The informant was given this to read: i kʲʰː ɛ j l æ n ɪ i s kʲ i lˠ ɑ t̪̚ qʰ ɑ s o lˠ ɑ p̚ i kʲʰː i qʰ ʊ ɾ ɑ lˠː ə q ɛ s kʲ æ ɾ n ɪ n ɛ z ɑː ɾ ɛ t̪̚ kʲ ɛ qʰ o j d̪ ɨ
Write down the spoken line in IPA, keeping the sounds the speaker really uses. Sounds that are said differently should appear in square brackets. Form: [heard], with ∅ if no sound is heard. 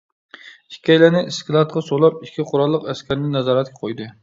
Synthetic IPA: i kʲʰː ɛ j l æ n ɪ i s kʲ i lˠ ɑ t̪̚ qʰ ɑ s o lˠ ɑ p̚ i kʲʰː i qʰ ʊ ɾ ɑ lˠː ə q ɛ s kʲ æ ɾ n ɪ n ɛ z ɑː ɾ ɛ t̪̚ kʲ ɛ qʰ o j d̪ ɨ

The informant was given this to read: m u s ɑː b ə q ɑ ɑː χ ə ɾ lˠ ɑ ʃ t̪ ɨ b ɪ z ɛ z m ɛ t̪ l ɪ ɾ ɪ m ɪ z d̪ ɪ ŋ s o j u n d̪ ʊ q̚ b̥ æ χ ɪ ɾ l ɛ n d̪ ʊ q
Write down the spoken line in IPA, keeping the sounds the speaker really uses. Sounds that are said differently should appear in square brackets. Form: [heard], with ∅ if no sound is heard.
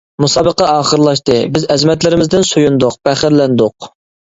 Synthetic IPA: m u s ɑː b ə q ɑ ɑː χ ə ɾ lˠ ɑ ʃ t̪ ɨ b ɪ z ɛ z m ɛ t̪ l ɪ ɾ ɪ m ɪ z d̪ ɪ [n] s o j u n d̪ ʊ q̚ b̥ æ χ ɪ ɾ l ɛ n d̪ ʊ q

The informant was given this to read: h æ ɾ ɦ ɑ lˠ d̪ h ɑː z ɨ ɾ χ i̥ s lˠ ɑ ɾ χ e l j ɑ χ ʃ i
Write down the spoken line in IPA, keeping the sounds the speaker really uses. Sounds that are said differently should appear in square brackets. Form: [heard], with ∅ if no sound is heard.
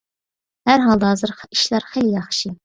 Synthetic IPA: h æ ɾ ɦ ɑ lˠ d̪ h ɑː z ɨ ɾ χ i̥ [ʃ] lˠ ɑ ɾ χ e l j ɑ χ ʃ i

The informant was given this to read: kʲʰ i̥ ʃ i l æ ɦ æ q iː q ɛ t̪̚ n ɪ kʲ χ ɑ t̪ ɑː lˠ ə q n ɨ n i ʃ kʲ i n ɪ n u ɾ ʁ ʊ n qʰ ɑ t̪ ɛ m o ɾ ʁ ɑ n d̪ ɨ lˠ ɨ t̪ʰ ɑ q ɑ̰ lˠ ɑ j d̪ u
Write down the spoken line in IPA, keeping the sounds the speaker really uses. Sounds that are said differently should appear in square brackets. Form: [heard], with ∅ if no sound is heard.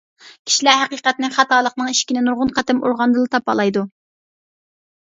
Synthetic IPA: kʲʰ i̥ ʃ i l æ ɦ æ q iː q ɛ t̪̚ n ɪ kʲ χ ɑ t̪ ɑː lˠ ə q n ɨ [ŋ] i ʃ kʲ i n ɪ n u ɾ ʁ ʊ n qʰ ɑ t̪ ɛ m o ɾ ʁ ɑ n d̪ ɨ lˠ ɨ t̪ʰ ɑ [p] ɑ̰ lˠ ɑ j d̪ u

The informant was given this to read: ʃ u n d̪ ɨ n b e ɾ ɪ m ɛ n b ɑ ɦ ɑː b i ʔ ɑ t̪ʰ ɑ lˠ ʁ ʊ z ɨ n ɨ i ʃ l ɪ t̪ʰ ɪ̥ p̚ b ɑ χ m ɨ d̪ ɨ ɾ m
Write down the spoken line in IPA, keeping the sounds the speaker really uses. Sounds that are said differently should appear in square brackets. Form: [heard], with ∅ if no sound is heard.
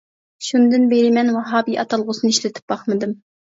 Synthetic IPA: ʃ u n d̪ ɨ n b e ɾ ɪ m ɛ n [w] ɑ ɦ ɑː b i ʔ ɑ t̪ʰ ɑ lˠ ʁ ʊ [s] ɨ n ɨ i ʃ l ɪ t̪ʰ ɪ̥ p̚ b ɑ χ m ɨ d̪ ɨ [∅] m

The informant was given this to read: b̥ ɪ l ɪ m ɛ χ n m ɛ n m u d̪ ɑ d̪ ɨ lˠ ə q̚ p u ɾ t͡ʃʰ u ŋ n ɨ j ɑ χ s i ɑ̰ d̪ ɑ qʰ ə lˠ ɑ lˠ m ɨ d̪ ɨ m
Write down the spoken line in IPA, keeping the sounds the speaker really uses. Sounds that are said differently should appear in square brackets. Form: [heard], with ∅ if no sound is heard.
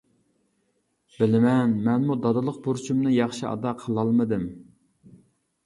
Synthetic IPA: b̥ ɪ l ɪ m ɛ [∅] n m ɛ n m u d̪ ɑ d̪ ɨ lˠ ə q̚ [b] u ɾ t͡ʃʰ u [m] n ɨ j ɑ χ [ʃ] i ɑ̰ d̪ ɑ qʰ ə lˠ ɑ lˠ m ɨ d̪ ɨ m

